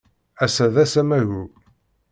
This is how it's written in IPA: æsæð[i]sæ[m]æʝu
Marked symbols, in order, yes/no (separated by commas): no, yes